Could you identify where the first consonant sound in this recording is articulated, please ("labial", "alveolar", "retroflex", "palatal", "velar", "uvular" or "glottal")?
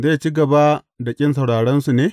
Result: alveolar